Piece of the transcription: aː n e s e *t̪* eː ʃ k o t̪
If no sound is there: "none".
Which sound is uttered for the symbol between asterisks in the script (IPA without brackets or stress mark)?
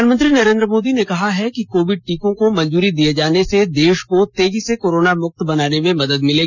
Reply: d̪